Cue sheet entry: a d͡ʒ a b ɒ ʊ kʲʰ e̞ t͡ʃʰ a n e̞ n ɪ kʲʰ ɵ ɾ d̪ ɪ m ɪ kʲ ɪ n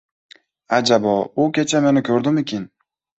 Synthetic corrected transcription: a d͡ʒ a b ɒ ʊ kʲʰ e̞ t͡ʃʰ a m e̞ n ɪ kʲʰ ɵ ɾ d̪ ɪ m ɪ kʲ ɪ n

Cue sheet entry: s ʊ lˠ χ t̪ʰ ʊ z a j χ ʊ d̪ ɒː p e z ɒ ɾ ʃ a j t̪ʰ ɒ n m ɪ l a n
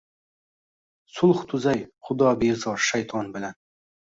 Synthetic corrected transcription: s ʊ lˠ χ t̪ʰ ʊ z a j χ ʊ d̪ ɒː b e z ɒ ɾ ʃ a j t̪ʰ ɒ n b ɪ l a n

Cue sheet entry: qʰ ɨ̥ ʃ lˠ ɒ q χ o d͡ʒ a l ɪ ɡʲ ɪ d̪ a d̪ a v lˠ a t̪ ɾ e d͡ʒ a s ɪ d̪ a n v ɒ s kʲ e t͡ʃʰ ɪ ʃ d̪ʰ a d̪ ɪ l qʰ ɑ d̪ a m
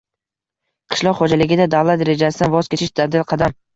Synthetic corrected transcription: qʰ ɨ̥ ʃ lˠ ɒ q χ o d͡ʒ a l ɪ ɡʲ ɪ d̪ a d̪ a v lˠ a t̪ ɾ e d͡ʒ a s ɪ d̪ a n v ɒ z kʲ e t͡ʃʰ ɪ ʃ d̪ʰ a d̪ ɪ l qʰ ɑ d̪ a m

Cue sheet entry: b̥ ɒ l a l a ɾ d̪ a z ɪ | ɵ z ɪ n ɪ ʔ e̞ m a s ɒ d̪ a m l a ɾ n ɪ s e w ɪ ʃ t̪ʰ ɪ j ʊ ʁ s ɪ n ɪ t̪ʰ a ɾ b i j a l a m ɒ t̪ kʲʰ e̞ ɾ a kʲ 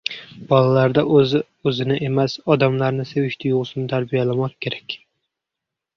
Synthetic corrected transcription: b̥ ɒ l a l a ɾ d̪ a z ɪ | ɵ z ɪ n ɪ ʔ e̞ m a s ɒ d̪ a m l a ɾ n ɪ s e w ɪ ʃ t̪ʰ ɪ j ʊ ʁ s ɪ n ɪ t̪ʰ a ɾ b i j a l a m ɒ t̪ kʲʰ e̞ ɾ a kʲ

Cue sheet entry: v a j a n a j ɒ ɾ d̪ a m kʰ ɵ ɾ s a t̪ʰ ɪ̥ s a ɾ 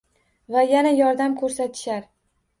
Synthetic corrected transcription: v a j a n a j ɒ ɾ d̪ a m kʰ ɵ ɾ s a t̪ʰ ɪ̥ ʃ a ɾ

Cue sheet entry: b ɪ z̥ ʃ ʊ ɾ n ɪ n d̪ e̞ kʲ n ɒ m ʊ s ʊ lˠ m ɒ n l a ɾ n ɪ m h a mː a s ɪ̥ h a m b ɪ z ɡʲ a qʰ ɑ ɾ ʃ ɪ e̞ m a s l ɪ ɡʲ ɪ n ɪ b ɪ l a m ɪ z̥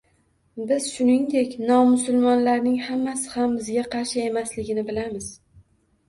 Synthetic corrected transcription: b ɪ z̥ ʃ ʊ n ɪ ŋ d̪ e̞ kʲ n ɒ m ʊ s ʊ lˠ m ɒ n l a ɾ n ɪ ŋ h a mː a s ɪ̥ h a m b ɪ z ɡʲ a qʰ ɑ ɾ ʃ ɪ e̞ m a s l ɪ ɡʲ ɪ n ɪ b ɪ l a m ɪ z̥

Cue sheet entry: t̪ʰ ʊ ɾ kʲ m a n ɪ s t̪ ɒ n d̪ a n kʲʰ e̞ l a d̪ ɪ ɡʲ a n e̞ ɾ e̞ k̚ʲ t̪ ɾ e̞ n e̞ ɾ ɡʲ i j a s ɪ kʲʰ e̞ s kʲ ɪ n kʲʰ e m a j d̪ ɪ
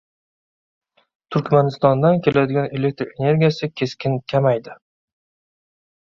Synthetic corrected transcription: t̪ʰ ʊ ɾ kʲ m a n ɪ s t̪ ɒ n d̪ a n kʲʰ e̞ l a d̪ ɪ ɡʲ a n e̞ l e̞ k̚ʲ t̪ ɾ e̞ n e̞ ɾ ɡʲ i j a s ɪ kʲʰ e̞ s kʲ ɪ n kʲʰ a m a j d̪ ɪ

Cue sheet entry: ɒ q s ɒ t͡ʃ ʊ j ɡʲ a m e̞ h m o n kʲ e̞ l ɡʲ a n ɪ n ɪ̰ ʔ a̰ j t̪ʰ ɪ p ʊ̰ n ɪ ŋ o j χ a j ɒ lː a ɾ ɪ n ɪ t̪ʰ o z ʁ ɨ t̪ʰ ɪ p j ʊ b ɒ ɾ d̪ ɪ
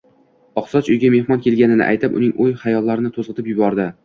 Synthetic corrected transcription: ɒ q s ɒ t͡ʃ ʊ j ɡʲ a m e̞ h m ɒ n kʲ e̞ l ɡʲ a n ɪ n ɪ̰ ʔ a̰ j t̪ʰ ɪ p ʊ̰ n ɪ ŋ o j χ a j ɒ lː a ɾ ɪ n ɪ t̪ʰ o z ʁ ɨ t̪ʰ ɪ p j ʊ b ɒ ɾ d̪ ɪ

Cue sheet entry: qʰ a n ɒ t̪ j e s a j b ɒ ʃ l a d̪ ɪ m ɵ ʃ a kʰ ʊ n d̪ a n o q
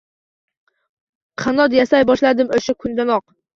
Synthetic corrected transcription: qʰ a n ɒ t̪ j a s a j b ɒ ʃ l a d̪ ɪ m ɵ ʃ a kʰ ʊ n d̪ a n ɒ q

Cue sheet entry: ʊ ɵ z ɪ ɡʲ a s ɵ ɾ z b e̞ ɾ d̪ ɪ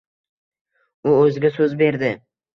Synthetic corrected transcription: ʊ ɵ z ɪ ɡʲ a s ɵ z b e̞ ɾ d̪ ɪ

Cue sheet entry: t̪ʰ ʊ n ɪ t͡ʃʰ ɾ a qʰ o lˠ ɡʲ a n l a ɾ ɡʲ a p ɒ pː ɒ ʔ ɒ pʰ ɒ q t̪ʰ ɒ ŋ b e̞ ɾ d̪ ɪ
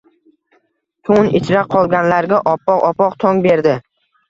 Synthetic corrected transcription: t̪ʰ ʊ n ɪ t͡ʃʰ ɾ a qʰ ɒ lˠ ɡʲ a n l a ɾ ɡʲ a ʔ ɒ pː ɒ q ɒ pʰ ɒ q t̪ʰ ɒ ŋ b e̞ ɾ d̪ ɪ

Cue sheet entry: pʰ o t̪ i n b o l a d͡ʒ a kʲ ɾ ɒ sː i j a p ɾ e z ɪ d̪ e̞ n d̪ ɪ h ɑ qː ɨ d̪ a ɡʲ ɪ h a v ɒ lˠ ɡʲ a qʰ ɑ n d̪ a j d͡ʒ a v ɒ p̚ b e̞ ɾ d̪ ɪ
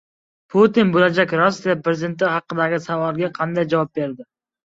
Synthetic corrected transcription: pʰ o t̪ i n b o l a d͡ʒ a kʲ ɾ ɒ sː i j a p ɾ e z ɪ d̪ e̞ n t̪ ɪ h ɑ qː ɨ d̪ a ɡʲ ɪ s a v ɒ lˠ ɡʲ a qʰ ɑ n d̪ a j d͡ʒ a v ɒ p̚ b e̞ ɾ d̪ ɪ

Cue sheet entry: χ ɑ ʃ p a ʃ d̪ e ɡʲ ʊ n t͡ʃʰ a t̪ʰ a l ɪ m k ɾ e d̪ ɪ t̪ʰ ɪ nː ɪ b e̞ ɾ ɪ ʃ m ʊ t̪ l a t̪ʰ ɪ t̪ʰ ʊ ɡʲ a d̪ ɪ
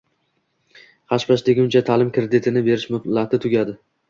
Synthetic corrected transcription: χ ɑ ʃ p a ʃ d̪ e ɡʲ ʊ n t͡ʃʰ a t̪ʰ a l ɪ m k ɾ e d̪ ɪ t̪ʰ ɪ n ɪ b e̞ ɾ ɪ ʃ m ʊ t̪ l a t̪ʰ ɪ t̪ʰ ʊ ɡʲ a d̪ ɪ

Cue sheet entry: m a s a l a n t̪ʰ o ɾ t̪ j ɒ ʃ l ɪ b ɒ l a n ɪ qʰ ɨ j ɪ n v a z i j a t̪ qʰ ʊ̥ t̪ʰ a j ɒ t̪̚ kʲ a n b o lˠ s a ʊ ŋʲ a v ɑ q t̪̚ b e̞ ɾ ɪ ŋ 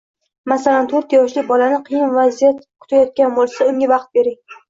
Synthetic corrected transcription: m a s a l a n t̪ʰ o ɾ t̪ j ɒ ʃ l ɪ b ɒ l a n ɪ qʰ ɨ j ɪ n v a z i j a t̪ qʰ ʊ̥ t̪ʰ a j ɒ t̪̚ kʲ a n b o lˠ s a ʊ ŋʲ a v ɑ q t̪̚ b e̞ ɾ ɪ ŋ

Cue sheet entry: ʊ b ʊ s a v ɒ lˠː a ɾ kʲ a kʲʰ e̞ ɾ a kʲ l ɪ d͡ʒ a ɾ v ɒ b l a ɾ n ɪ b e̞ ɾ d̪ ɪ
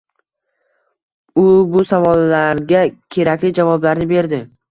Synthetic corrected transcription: ʊ b ʊ s a v ɒ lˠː a ɾ ɡʲ a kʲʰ e̞ ɾ a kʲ l ɪ d͡ʒ a v ɒ b l a ɾ n ɪ b e̞ ɾ d̪ ɪ

